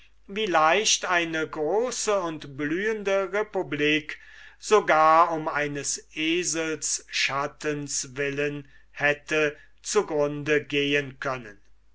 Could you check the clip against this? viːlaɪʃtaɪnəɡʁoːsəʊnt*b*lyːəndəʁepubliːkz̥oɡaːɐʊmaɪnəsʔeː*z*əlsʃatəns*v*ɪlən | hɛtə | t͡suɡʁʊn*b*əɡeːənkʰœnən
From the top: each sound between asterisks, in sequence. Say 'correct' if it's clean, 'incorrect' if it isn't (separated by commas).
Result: correct, correct, correct, incorrect